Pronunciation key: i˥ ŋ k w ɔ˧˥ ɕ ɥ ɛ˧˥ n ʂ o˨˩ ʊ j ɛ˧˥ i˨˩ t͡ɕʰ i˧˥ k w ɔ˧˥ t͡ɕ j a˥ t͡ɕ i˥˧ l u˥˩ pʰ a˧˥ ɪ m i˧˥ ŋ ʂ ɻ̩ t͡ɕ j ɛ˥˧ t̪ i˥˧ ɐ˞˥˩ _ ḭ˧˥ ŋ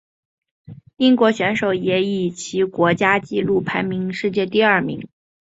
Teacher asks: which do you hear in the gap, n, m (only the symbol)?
m